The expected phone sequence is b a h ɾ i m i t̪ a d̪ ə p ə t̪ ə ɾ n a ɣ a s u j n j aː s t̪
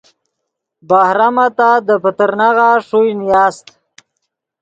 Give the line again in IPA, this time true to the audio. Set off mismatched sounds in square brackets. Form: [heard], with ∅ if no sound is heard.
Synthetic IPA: b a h ɾ [a] m [a] t̪ a d̪ ə p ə t̪ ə ɾ n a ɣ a [ʂ] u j n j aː s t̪